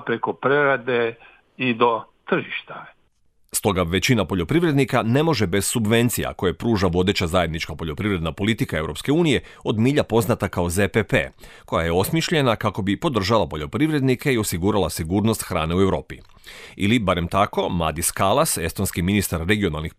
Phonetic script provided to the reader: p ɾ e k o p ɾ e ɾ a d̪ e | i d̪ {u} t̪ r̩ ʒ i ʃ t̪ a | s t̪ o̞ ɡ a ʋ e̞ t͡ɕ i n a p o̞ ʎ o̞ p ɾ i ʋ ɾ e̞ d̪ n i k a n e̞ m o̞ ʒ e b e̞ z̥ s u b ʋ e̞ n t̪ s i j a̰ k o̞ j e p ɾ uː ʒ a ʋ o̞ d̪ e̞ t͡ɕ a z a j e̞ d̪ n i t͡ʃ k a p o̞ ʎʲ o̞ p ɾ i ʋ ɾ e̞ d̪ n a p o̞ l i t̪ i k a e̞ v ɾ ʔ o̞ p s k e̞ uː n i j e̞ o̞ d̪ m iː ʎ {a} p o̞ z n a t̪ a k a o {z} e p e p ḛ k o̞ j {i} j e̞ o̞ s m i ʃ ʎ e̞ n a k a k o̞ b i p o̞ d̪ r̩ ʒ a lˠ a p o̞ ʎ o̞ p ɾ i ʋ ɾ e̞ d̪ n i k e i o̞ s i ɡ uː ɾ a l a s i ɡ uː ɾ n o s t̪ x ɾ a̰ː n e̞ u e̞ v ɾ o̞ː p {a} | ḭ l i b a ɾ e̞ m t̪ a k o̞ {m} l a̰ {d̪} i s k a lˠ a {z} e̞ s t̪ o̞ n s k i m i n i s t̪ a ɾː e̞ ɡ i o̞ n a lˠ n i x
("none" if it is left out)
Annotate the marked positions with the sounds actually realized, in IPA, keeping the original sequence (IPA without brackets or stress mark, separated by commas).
o, a, z, a, i, m, d̪, s